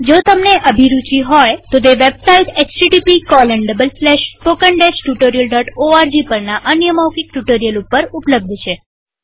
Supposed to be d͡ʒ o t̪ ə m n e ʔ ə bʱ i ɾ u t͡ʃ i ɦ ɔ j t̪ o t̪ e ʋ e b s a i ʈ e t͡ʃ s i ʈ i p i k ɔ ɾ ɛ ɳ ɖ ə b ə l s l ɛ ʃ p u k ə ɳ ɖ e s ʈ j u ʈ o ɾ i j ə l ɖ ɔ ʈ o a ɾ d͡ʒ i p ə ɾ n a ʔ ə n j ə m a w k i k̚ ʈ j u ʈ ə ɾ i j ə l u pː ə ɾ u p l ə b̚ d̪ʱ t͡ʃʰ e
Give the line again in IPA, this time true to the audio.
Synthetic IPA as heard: d͡ʒ o t̪ ə m n e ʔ ə bʱ i ɾ u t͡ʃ i ɦ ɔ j t̪ o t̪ e ʋ e b s a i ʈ e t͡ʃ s i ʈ i p i k ɔ l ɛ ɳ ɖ ə b ə l s l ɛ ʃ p o k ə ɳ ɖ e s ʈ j u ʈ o ɾ i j ə l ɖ ɔ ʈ o a ɾ d͡ʒ i p ə ɾ n a ʔ ə n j ə m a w k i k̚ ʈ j u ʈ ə ɾ i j ə l u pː ə ɾ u p l ə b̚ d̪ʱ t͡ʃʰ e